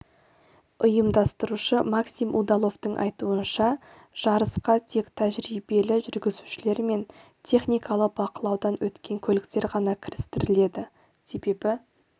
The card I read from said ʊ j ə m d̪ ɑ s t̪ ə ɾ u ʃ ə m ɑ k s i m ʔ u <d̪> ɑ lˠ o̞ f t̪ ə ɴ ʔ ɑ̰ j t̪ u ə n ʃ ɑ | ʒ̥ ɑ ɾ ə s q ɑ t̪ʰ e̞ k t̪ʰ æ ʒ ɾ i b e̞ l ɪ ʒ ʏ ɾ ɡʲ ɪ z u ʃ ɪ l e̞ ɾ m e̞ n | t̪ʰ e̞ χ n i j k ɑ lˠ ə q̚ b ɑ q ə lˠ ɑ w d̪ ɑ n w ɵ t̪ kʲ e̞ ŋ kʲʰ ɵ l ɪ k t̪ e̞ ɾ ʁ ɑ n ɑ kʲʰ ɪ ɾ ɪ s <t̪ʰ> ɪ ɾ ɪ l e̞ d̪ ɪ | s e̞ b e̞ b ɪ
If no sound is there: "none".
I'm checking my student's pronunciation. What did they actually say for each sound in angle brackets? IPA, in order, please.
d̪, t̪

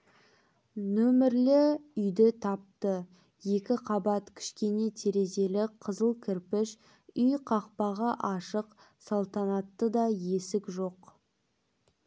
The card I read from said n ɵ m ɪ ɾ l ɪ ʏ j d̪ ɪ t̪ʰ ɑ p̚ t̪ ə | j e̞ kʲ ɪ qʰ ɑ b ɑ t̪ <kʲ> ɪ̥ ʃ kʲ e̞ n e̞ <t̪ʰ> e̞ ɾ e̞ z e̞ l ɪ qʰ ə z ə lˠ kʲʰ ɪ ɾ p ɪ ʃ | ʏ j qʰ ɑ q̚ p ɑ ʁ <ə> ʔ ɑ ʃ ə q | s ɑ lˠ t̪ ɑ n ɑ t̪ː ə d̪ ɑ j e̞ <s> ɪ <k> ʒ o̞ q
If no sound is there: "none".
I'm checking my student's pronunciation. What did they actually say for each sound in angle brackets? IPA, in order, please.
kʲʰ, t̪ʰ, ɑ, s, k

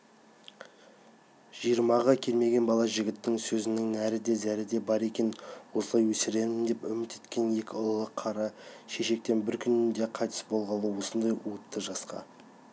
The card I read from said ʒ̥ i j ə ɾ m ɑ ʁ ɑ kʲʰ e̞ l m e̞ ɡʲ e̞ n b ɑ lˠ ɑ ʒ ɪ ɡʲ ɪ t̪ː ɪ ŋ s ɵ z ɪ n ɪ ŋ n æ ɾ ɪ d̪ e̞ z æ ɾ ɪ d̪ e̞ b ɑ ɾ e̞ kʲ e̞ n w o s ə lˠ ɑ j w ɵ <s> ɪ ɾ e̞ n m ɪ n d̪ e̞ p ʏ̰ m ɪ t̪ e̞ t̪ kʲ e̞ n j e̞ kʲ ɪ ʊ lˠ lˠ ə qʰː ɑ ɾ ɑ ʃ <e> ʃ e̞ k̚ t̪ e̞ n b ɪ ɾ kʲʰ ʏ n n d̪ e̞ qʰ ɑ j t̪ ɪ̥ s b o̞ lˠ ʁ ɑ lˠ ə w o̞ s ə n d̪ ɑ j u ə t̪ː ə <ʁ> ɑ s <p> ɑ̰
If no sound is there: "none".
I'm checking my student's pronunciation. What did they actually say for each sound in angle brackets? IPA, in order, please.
s, e, ʒ, q

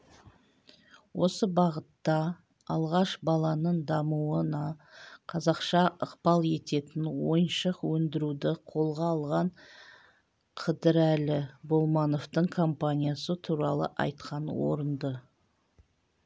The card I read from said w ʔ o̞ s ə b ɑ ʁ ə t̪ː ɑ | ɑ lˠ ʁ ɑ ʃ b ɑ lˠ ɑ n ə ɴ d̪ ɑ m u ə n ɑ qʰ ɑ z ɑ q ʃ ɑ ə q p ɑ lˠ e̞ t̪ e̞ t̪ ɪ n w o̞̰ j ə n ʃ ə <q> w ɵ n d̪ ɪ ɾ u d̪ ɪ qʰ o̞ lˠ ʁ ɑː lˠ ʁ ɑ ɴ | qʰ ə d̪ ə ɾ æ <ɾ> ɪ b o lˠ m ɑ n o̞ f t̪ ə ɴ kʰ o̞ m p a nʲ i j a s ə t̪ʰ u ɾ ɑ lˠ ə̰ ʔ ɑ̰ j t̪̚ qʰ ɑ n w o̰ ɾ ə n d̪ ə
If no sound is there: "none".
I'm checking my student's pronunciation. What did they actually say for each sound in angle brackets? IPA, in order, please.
q, l

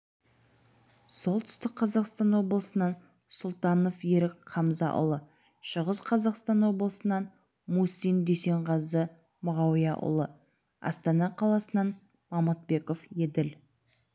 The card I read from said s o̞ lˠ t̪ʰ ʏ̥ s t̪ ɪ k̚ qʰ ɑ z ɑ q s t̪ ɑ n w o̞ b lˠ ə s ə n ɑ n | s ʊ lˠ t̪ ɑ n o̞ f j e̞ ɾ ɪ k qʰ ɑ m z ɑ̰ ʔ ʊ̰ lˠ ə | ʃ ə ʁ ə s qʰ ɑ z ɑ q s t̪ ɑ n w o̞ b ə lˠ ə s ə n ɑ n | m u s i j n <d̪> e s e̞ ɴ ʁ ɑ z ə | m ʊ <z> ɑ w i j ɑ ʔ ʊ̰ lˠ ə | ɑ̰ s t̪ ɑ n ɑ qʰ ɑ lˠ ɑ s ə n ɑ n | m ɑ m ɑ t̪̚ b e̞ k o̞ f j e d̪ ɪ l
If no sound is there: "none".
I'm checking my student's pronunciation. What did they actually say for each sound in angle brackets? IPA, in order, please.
d̪, ʁ

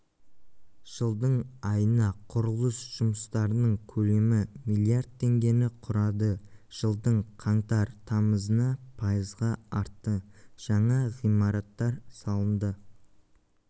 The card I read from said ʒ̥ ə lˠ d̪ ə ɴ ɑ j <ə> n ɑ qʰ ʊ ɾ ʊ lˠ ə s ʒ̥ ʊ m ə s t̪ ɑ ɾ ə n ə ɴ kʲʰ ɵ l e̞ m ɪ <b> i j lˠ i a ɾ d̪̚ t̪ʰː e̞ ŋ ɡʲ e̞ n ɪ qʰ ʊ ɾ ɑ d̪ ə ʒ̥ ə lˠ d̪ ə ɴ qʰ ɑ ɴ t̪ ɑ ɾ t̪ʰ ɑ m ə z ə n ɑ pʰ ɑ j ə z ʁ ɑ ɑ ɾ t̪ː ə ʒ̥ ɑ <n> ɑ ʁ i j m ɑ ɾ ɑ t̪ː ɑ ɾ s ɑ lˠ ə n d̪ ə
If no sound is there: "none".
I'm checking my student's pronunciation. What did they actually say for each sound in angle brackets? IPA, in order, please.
ə, m, ɴ

